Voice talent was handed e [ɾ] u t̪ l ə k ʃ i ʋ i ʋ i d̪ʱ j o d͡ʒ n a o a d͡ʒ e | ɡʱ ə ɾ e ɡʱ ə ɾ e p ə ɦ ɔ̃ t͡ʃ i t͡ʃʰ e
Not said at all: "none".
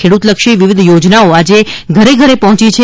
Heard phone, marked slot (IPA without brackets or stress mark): ɽ